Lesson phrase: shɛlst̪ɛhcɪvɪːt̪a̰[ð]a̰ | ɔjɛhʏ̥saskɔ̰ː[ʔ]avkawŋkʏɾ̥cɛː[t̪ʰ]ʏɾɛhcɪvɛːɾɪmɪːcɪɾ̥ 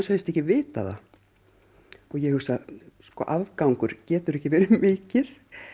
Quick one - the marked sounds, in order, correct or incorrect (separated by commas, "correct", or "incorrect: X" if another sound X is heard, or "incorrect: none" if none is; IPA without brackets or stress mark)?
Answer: correct, correct, incorrect: t̪